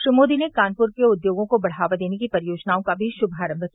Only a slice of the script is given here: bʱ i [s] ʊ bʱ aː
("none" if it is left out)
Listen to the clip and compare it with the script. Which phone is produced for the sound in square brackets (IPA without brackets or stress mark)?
ʃ